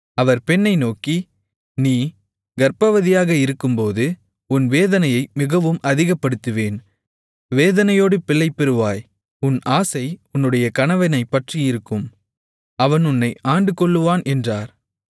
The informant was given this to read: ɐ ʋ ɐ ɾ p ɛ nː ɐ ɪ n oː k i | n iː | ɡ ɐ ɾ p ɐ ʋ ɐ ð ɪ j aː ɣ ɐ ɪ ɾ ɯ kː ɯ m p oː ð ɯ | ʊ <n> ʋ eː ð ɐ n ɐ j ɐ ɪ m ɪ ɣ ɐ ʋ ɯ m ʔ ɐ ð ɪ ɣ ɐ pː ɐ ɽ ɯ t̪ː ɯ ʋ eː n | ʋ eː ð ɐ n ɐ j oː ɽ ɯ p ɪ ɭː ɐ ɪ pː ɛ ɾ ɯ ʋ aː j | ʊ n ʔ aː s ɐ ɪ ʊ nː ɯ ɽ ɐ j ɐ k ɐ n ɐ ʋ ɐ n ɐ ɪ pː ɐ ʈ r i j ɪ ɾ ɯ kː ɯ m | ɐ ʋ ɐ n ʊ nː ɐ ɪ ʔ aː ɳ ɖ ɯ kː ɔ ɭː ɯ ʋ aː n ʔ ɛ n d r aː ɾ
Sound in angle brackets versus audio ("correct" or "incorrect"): correct